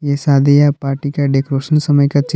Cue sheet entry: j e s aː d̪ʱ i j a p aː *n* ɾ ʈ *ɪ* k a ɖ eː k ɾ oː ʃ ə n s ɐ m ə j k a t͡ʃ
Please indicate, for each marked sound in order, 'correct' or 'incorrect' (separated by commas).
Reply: incorrect, incorrect